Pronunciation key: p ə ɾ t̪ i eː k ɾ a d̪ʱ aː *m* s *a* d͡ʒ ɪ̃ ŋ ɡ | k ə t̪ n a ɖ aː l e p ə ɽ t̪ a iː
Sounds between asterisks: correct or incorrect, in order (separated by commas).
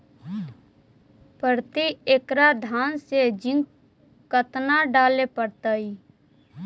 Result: incorrect, incorrect